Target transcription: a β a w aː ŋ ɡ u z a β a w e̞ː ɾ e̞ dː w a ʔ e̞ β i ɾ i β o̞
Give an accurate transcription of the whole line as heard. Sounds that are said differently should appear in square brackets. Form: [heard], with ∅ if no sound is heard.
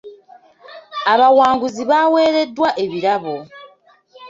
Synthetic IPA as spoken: a β a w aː ŋ ɡ u z [i] β a w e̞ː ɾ e̞ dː w a ʔ e̞ β i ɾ [a] β o̞